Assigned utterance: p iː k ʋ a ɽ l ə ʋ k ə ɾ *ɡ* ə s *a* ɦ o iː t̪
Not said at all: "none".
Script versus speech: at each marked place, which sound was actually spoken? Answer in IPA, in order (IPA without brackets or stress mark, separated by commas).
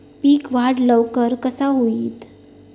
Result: k, a